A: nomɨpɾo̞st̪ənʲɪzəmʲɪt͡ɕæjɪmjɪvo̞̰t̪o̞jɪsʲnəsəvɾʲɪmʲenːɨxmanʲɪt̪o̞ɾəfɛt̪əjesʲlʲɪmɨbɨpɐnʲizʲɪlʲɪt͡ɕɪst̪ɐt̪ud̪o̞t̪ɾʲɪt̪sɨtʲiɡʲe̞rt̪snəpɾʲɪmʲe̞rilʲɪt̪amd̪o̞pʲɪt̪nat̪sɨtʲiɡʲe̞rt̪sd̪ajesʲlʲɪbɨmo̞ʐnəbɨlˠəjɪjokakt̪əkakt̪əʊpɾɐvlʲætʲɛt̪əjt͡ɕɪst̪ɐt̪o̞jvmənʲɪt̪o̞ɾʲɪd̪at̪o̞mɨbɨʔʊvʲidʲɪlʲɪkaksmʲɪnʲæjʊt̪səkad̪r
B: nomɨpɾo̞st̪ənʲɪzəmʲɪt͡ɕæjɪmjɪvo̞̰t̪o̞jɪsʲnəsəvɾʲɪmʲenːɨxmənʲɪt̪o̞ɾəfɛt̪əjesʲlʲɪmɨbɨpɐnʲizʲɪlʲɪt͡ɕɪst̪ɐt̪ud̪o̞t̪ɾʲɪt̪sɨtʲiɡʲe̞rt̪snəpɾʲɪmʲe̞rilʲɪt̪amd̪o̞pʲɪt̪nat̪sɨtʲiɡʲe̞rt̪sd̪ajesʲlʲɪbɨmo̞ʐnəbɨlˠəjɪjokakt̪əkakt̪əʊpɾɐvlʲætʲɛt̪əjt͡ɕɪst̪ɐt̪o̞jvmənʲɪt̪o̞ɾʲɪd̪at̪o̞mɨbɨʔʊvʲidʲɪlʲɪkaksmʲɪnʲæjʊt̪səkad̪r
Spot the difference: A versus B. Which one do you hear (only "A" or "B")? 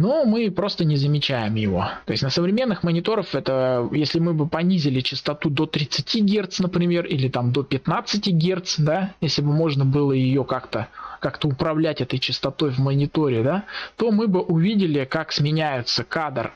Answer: B